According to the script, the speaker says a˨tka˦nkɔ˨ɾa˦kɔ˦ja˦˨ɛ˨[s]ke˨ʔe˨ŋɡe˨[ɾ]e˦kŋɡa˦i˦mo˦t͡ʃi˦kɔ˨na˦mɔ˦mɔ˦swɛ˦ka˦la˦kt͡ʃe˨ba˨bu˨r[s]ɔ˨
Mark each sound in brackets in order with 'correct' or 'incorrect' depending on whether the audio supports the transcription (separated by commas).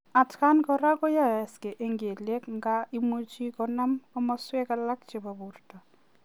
correct, incorrect, incorrect